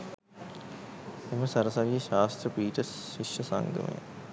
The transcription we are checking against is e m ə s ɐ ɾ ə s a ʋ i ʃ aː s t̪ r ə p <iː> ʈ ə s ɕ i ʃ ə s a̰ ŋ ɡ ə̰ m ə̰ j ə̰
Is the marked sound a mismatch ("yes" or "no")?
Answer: no